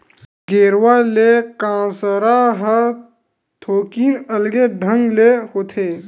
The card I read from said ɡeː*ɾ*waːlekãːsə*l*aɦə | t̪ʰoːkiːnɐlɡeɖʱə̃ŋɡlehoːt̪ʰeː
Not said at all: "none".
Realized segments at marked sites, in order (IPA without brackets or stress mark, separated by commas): ɾ, ɾ